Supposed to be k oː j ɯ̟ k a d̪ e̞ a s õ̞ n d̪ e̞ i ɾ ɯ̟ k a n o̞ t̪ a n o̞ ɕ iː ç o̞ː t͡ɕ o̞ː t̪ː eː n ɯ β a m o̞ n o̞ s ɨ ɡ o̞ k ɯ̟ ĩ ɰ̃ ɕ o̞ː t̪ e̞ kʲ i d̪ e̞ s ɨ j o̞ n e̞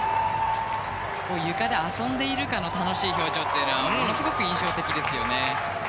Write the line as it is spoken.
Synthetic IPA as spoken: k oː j ɯ̟ k a d̪ e̞ a s õ̞ n d̪ e̞ i ɾ ɯ̟ k a n o̞ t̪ a n o̞ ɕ iː ç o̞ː t͡ɕ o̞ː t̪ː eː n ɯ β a m o̞ n o̞ s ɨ ɡ o̞ k ɯ̟ ĩ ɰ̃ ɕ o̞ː t̪ e̞ kʲ i d̪ e̞ s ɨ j o̞ n e̞